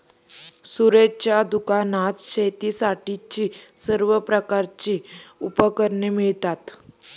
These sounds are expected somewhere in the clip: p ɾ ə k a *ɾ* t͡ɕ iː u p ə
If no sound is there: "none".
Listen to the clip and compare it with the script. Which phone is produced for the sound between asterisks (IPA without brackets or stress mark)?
ɾ